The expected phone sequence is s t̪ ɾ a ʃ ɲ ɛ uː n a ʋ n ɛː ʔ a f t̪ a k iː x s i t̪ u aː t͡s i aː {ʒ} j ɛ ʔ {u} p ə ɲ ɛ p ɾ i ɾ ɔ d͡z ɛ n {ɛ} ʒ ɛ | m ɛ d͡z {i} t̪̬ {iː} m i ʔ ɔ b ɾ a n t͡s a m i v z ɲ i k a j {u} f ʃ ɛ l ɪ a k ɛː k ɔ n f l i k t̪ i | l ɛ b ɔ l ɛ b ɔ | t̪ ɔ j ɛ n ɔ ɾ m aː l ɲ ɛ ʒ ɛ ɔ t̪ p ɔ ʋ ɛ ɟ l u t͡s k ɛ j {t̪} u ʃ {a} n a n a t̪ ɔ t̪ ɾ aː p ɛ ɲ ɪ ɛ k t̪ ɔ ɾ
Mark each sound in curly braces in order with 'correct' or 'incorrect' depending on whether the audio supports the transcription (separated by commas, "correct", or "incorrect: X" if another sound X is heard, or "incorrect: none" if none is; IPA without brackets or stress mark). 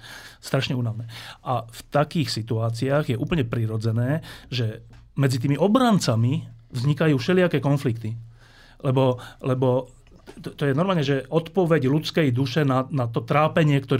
incorrect: ɣ, incorrect: uː, incorrect: ɛː, correct, correct, incorrect: uː, incorrect: d̪, incorrect: ɛ